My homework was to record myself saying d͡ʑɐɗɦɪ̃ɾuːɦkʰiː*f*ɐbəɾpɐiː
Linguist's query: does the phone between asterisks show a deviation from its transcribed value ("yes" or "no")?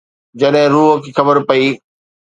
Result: yes